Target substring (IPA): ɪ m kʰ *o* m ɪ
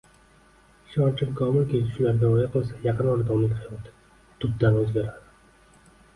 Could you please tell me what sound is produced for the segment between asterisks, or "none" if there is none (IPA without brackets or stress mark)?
ɒ